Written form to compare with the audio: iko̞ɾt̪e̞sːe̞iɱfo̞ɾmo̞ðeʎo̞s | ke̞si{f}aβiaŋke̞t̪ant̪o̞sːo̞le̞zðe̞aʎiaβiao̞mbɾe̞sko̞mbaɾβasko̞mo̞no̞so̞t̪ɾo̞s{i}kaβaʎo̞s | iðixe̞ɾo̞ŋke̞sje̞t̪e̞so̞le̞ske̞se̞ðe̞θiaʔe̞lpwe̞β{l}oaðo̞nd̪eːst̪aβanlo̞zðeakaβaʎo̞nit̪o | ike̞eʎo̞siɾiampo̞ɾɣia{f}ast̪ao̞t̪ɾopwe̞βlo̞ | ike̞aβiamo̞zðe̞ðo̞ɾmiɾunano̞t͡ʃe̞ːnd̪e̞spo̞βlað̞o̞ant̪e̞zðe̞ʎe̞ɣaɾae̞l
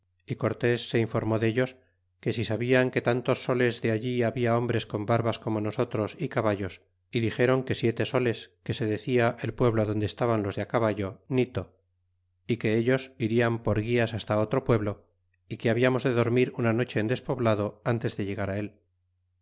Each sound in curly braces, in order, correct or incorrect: incorrect: s, correct, correct, incorrect: s

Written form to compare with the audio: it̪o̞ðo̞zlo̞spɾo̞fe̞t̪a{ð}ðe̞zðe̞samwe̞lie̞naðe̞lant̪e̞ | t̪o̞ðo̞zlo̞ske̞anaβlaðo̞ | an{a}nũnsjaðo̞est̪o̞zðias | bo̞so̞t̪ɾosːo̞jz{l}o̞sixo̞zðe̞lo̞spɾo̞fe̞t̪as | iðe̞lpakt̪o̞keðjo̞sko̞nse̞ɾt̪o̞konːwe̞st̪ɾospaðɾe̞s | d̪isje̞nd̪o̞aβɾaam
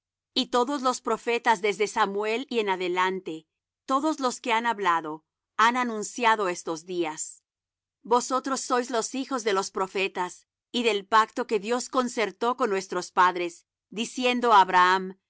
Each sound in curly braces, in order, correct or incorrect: incorrect: z, correct, correct

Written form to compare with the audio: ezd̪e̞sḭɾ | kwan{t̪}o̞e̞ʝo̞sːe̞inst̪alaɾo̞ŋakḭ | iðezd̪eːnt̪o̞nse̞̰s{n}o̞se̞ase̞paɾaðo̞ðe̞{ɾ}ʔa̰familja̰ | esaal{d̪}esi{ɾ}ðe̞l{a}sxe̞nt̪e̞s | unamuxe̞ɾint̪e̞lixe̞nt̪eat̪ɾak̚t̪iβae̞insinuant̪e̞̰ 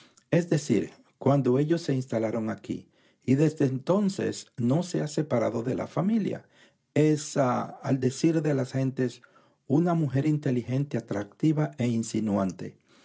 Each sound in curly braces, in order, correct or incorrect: incorrect: d̪, correct, incorrect: l, correct, correct, correct

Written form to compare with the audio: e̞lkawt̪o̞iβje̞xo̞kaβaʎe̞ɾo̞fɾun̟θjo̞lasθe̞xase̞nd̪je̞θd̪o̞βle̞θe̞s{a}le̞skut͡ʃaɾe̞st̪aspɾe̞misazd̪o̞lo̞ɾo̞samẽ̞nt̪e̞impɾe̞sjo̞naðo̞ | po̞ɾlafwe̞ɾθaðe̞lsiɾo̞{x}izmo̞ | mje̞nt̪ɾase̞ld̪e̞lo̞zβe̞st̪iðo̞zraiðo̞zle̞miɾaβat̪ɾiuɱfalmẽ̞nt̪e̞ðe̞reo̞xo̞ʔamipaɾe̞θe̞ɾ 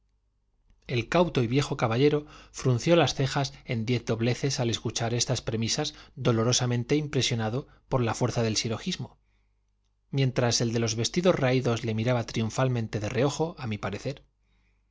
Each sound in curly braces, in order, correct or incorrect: correct, correct

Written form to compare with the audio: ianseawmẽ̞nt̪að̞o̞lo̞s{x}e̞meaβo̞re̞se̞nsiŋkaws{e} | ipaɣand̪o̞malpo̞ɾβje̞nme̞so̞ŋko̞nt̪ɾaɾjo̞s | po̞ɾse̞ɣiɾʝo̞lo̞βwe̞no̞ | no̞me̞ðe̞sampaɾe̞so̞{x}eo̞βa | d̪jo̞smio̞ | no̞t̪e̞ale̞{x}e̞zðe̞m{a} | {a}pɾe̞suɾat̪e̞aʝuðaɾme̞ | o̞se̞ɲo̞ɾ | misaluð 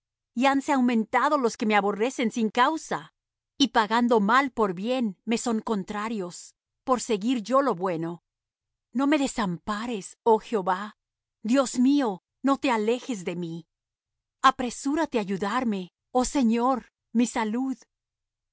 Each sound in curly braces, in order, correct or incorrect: incorrect: k, incorrect: a, correct, correct, incorrect: i, correct

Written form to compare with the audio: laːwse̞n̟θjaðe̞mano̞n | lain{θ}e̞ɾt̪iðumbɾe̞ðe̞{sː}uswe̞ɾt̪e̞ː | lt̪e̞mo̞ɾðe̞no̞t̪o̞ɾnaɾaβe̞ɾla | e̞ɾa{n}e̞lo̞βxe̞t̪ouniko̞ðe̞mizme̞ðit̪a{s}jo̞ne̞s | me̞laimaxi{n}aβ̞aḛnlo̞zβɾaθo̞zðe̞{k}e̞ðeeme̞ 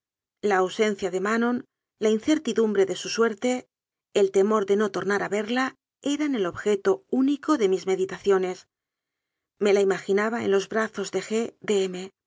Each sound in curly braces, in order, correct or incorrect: correct, incorrect: s, correct, incorrect: θ, correct, incorrect: x

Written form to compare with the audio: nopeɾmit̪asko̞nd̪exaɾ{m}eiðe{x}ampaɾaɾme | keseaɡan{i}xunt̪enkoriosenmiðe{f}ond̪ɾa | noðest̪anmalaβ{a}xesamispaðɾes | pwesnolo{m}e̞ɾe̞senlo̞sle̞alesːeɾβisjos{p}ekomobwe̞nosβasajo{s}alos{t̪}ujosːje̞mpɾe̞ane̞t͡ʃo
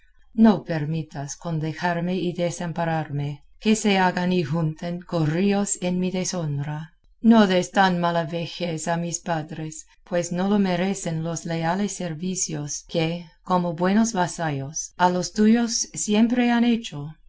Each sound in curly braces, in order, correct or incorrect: correct, incorrect: s, correct, incorrect: s, incorrect: e, correct, incorrect: k, correct, correct

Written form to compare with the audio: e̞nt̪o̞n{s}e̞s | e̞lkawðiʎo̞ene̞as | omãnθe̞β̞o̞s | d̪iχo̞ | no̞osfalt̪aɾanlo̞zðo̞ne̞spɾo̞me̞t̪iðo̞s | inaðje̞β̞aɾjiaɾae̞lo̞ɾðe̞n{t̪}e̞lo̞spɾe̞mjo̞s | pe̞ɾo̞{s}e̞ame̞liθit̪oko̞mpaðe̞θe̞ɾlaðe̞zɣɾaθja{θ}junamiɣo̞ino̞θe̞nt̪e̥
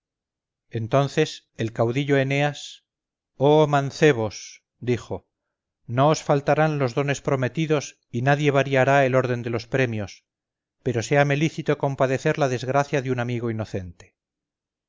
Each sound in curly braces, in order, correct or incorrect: incorrect: θ, incorrect: d̪, correct, incorrect: ð

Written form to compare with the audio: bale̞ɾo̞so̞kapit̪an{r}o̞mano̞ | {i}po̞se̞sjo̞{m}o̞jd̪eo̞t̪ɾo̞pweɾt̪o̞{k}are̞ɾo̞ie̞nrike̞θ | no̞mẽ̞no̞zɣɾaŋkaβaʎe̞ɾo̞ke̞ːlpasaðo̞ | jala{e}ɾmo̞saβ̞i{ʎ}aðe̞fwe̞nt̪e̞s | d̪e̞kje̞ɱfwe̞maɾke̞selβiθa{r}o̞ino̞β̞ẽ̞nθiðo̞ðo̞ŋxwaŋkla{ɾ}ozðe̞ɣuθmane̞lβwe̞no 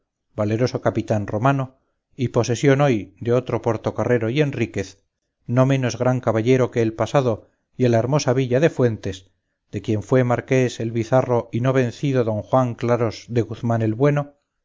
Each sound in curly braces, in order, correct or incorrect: correct, correct, incorrect: n, correct, correct, correct, correct, correct

